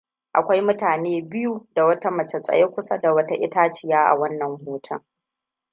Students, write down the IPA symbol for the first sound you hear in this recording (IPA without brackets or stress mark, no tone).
ʔ